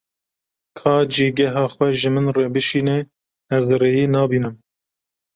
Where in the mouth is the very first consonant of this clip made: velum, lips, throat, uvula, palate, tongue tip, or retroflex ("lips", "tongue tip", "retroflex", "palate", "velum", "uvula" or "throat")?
velum